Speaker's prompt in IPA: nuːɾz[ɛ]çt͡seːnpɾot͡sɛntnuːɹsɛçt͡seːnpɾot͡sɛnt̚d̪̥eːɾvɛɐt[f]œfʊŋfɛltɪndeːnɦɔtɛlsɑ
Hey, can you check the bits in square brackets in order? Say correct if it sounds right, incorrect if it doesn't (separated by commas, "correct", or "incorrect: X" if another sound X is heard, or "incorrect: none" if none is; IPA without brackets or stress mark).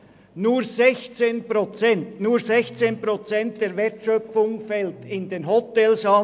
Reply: correct, incorrect: ʃ